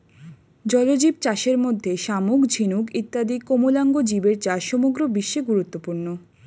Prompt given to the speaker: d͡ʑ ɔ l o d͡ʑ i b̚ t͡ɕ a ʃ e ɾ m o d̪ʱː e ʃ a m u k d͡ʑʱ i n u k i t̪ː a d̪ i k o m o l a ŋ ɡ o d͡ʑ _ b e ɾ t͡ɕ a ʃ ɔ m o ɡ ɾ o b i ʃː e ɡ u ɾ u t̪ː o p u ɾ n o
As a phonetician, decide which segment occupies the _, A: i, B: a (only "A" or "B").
A